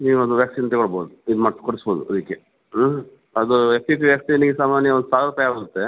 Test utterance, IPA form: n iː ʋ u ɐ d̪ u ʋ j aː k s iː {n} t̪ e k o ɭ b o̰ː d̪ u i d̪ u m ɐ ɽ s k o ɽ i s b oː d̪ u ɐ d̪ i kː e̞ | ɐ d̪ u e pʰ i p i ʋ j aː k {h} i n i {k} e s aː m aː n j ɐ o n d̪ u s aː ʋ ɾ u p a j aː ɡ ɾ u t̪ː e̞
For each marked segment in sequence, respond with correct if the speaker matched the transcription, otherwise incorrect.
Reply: correct, incorrect, incorrect

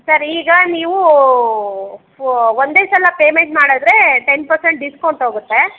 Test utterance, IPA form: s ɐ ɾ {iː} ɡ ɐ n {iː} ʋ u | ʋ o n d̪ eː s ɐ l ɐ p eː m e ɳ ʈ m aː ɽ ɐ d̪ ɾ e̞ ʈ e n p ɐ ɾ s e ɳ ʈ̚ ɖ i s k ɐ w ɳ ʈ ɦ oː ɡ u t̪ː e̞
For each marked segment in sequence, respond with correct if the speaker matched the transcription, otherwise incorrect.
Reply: correct, correct

